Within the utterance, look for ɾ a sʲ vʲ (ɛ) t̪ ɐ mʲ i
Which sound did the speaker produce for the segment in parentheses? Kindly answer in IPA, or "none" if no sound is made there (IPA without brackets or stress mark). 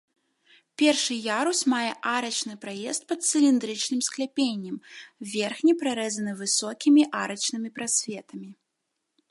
ɛ